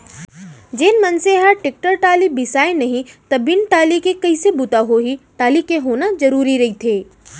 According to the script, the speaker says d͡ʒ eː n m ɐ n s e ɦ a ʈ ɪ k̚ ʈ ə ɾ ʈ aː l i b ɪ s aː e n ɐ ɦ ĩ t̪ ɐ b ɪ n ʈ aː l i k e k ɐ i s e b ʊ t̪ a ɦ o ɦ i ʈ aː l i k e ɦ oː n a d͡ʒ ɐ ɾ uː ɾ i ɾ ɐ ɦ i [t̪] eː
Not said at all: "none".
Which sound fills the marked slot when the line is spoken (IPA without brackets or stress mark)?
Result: t̪ʰ